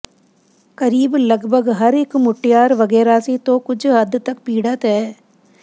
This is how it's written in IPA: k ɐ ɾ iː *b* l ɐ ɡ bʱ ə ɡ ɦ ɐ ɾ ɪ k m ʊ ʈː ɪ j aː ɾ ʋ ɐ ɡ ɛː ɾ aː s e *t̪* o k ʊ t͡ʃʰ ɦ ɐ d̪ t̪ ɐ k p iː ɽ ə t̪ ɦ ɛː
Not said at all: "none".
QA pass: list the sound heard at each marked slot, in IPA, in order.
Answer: b, t̪

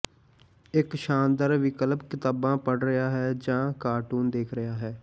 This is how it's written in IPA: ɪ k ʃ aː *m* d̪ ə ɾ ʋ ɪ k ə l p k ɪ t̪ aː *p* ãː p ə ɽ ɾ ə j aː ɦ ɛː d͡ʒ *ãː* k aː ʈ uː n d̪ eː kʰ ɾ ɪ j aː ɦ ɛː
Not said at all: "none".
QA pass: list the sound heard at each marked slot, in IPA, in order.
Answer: n, b, ãː

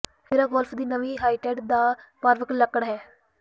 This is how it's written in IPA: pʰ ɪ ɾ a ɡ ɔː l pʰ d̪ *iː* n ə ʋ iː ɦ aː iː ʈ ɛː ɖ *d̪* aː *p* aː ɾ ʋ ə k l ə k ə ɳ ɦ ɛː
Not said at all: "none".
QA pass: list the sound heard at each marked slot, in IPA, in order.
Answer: iː, d̪, p

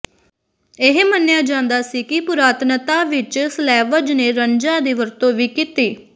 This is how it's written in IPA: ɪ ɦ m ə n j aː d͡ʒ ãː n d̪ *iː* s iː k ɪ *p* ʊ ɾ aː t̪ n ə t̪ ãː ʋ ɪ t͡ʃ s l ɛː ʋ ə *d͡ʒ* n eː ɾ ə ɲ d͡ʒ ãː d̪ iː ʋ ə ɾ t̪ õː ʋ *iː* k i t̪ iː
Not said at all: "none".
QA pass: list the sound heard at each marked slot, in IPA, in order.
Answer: aː, p, d͡ʒ, iː

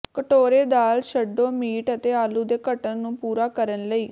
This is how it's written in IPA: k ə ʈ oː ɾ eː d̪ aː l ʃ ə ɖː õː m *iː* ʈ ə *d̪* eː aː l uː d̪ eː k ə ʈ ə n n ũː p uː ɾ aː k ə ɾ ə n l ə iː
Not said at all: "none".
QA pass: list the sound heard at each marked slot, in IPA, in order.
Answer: iː, t̪

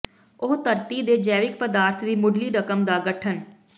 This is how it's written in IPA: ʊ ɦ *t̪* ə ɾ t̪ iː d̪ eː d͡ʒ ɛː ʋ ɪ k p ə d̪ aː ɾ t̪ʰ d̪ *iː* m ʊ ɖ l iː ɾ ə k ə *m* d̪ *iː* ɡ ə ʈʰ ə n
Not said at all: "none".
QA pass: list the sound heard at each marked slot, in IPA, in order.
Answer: t̪, iː, m, aː

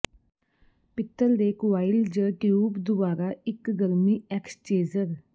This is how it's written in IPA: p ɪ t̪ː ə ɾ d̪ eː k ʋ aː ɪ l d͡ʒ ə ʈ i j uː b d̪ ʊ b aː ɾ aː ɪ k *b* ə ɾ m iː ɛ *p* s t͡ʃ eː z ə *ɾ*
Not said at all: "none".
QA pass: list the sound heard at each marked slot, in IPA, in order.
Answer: ɡ, k, ɾ

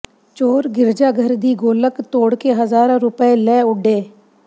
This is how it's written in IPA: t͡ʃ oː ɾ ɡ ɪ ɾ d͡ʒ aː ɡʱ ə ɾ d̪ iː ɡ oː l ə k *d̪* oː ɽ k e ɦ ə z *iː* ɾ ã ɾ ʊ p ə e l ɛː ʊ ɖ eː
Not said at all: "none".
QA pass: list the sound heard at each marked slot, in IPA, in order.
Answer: t̪, aː

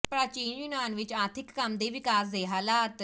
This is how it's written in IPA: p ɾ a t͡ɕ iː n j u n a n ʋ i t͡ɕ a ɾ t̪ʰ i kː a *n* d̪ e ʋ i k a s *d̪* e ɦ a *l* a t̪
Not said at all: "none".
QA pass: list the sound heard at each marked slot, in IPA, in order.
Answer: m, d̪, l

